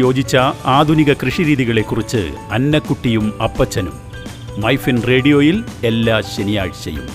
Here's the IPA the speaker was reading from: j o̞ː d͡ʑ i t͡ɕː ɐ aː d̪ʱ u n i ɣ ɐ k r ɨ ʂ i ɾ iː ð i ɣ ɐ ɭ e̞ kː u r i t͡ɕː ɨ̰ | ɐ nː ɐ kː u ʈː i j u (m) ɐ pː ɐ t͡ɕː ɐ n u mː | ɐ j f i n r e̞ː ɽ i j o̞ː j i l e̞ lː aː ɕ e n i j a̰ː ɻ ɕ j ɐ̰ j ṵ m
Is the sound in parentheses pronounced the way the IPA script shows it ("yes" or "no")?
yes